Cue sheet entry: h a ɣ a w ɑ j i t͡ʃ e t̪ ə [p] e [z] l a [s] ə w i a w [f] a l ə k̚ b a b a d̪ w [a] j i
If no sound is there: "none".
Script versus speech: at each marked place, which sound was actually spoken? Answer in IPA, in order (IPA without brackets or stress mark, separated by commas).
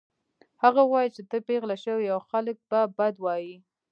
p, ɣ, ʃ, x, ɑ